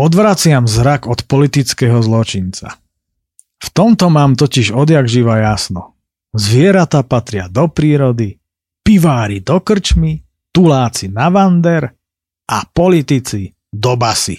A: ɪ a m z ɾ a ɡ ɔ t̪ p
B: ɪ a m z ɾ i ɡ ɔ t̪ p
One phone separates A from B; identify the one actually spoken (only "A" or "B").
A